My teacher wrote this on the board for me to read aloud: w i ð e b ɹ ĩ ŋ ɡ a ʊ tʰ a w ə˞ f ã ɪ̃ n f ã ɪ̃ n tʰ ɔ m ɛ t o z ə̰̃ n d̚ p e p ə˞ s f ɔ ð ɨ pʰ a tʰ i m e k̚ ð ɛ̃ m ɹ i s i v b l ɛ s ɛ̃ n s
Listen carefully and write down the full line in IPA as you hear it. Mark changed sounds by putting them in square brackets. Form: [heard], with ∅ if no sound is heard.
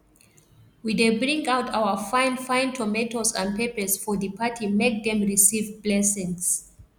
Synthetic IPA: w i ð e b ɹ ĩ ŋ ɡ a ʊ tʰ a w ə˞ f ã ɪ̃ n f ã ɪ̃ n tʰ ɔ m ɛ t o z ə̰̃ n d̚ p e p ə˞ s f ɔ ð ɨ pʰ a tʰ i m e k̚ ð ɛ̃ m ɹ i s i v b l ɛ s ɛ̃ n s